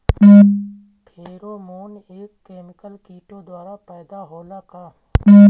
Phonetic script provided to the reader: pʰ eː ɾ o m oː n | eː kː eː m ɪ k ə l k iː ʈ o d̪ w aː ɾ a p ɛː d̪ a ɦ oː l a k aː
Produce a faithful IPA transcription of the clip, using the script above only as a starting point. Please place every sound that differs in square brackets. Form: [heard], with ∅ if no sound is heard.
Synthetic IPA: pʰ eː ɾ o m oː n | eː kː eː m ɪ k ə l k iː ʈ o d̪ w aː ɾ a p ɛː d̪ a ɦ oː l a k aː

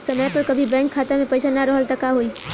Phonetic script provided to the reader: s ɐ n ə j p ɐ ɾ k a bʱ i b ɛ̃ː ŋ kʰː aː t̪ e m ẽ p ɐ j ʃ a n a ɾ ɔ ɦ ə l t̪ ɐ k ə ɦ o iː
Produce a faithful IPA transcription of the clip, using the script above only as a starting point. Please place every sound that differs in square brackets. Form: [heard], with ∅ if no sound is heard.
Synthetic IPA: s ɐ [m] ə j p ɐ ɾ k [ɐ] bʱ i b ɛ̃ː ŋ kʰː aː t̪ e m ẽ p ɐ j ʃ a n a ɾ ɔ ɦ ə l t̪ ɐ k [a] ɦ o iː

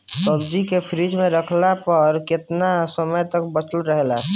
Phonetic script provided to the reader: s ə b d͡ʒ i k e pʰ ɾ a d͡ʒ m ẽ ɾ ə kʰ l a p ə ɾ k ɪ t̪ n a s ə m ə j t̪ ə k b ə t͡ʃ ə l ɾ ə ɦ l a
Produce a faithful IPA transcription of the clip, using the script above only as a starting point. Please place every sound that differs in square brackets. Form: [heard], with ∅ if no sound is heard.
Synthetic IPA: s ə b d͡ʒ i k e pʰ ɾ [i] d͡ʒ m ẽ ɾ ə kʰ l a p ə ɾ k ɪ t̪ n a s ə m ə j t̪ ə k b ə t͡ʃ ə l ɾ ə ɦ l a

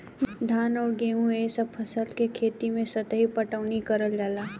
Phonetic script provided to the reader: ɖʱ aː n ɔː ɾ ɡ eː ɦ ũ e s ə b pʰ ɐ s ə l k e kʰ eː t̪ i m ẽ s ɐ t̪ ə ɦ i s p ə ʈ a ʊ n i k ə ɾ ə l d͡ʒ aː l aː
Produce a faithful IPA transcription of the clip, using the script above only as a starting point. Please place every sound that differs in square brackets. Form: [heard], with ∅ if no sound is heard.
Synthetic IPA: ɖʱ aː n ɔː ɾ ɡ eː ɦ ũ e s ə b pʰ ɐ s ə l k e kʰ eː t̪ i m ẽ s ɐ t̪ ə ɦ i [∅] p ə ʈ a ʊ n i k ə ɾ ə l d͡ʒ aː l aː

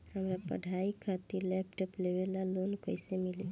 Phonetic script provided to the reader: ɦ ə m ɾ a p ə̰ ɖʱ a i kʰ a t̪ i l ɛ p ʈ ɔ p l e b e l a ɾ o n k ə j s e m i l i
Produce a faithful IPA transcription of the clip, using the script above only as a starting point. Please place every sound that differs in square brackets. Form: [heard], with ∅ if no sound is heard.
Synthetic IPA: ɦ ə m ɾ a p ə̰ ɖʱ a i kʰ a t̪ i l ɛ p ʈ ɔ p l e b e l a [l] o n k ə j s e m i l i

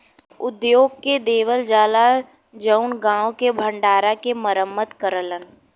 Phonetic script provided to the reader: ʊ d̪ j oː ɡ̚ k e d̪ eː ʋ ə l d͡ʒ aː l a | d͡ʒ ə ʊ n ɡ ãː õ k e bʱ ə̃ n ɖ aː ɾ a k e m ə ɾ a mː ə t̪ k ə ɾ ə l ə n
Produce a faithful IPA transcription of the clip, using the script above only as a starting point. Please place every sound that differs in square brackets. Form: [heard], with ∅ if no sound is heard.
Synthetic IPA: ʊ d̪ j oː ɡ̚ k e d̪ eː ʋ ə l d͡ʒ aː l a | d͡ʒ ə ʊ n ɡ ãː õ k e bʱ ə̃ [ɳ] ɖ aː ɾ a k e m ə ɾ [ə] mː ə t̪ k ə ɾ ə l ə n

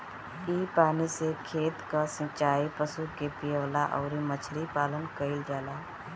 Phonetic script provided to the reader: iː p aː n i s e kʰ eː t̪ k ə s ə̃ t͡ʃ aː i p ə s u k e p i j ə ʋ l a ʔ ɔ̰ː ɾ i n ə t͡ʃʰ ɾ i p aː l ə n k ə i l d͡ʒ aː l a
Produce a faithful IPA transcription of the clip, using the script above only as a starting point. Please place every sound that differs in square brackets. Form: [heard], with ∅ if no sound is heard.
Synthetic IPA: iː p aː n i s e kʰ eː t̪ k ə s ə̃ t͡ʃ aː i p ə s u k e p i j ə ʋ l a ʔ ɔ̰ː ɾ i [m] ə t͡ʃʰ ɾ i p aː l ə n k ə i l d͡ʒ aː l a

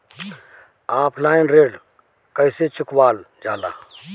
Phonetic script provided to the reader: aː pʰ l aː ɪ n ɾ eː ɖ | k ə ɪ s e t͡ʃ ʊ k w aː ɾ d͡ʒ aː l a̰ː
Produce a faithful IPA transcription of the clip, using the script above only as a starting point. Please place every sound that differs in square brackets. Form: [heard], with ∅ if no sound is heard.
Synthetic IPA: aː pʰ l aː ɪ n ɾ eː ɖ | k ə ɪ s e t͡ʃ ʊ k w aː [l] d͡ʒ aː l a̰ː

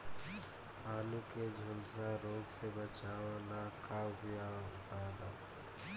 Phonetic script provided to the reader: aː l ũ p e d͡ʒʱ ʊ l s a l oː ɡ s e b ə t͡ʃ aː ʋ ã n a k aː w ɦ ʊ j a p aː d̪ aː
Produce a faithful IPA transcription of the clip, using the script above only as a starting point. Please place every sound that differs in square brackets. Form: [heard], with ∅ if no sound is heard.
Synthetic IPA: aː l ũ [k] e d͡ʒʱ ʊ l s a [ɾ] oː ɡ s e b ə t͡ʃ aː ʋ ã n a k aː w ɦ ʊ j a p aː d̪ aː

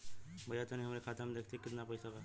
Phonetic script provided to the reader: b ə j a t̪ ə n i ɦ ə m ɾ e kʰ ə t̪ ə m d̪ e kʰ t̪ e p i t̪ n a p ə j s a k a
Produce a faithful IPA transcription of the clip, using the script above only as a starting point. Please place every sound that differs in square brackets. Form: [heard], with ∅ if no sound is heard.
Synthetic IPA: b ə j a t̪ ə n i ɦ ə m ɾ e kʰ [a] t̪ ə m d̪ e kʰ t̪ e [k] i t̪ n a p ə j s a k a

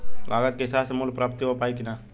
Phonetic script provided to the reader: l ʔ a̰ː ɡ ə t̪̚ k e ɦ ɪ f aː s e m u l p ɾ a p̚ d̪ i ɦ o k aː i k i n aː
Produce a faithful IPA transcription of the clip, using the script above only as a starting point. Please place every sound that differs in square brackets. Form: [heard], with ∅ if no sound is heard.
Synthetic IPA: l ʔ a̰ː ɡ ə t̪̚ k e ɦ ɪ [s] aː s e m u l p ɾ a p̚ [t̪] i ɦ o [p] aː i k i n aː

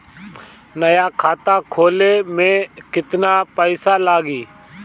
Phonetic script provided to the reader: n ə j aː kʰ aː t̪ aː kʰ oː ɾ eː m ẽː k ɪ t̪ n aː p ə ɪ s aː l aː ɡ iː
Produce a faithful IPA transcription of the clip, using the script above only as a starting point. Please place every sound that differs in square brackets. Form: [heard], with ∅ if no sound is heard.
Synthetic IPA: n ə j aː kʰ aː t̪ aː kʰ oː [l] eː m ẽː k ɪ t̪ n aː p ə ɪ s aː l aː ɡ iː

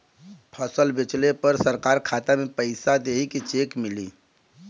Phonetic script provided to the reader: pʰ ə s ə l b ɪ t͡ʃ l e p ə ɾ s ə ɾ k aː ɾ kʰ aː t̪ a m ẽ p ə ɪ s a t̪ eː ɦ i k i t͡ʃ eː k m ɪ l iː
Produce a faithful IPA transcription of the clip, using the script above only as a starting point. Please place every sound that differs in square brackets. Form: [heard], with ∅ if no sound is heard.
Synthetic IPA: pʰ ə s ə l b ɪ t͡ʃ l e p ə ɾ s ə ɾ k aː ɾ kʰ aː t̪ a m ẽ p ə ɪ s a [d̪] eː ɦ i k i t͡ʃ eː k m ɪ l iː

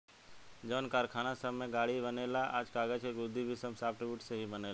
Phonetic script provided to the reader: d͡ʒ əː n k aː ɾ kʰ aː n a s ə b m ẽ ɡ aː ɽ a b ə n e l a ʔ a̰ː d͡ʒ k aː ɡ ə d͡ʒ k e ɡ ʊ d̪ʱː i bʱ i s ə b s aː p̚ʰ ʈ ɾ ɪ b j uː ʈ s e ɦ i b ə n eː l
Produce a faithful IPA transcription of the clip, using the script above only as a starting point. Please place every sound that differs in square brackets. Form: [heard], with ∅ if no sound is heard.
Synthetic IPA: d͡ʒ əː n k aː ɾ kʰ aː n a s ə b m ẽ ɡ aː ɽ [i] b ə n e l a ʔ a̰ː d͡ʒ k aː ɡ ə d͡ʒ k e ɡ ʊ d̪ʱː i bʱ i s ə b s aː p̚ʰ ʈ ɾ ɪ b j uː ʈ s e ɦ i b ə n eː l

